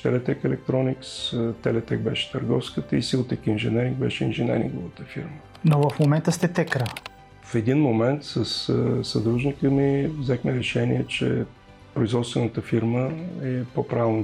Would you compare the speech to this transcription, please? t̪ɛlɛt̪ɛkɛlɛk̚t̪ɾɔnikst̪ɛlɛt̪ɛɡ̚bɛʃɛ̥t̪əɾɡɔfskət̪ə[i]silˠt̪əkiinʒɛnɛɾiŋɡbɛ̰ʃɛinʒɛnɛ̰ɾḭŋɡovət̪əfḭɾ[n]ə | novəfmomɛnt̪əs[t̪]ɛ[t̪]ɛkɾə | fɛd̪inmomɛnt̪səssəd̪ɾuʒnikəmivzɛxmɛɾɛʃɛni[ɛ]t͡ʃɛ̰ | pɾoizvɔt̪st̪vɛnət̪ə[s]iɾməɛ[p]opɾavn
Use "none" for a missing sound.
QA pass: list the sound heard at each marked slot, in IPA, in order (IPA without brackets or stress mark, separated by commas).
i, m, t̪, t̪, ɛ, f, p